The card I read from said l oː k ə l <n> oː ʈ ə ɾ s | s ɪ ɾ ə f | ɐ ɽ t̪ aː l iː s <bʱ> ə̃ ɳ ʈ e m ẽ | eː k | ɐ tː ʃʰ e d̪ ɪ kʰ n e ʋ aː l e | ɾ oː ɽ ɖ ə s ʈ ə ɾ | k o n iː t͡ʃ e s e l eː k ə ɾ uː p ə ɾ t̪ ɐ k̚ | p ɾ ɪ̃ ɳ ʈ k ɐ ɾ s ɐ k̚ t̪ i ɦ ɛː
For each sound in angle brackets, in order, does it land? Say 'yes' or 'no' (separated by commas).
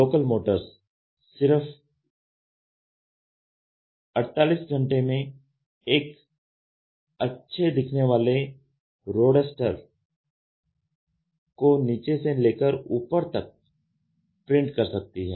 no, no